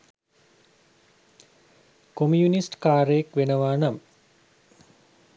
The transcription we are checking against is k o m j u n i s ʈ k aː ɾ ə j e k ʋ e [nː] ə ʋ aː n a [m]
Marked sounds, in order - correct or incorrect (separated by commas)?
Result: incorrect, correct